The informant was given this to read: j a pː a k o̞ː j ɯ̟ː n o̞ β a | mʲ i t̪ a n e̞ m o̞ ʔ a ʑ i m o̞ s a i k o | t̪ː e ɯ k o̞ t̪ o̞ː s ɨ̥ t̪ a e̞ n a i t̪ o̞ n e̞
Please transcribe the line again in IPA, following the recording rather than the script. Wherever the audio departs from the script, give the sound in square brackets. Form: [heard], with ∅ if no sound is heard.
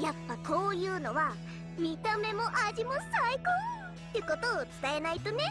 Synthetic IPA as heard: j a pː a k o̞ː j ɯ̟ː n o̞ β a | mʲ i t̪ a [m] e̞ m o̞ ʔ a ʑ i m o̞ s a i k o | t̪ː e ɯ k o̞ t̪ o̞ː [t͡s] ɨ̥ t̪ a e̞ n a i t̪ o̞ n e̞